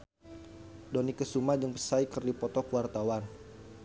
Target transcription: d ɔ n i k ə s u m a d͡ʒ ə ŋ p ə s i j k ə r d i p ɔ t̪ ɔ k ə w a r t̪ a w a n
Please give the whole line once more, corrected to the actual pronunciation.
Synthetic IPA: d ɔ n i k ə s u m a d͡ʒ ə ŋ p ə s a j k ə r d i p ɔ t̪ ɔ k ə w a r t̪ a w a n